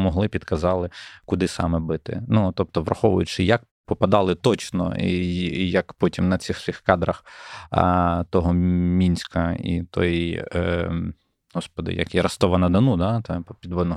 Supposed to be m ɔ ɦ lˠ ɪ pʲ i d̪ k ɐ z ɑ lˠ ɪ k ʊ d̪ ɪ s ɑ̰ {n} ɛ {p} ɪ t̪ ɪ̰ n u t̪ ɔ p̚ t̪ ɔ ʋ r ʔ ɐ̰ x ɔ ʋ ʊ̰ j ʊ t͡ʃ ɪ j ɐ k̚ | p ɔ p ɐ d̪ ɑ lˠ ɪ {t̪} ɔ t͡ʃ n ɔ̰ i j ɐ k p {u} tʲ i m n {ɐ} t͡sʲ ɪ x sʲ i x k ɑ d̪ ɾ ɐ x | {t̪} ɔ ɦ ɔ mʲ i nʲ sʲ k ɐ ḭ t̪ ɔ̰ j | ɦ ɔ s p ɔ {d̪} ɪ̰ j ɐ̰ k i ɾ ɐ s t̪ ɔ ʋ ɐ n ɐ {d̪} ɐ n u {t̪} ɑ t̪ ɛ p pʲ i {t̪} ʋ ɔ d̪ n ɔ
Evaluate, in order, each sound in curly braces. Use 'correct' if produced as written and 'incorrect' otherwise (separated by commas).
incorrect, incorrect, correct, incorrect, correct, correct, correct, correct, incorrect, incorrect